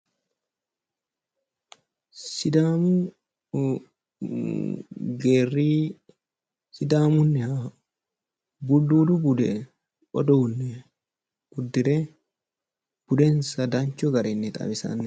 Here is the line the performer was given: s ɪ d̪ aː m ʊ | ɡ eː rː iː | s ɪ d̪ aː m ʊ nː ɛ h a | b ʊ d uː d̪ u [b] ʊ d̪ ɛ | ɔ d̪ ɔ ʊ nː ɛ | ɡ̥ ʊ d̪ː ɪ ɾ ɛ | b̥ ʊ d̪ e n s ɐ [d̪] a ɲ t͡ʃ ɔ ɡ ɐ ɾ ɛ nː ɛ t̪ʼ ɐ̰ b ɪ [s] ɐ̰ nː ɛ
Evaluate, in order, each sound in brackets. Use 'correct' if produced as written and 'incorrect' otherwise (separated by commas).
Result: correct, correct, correct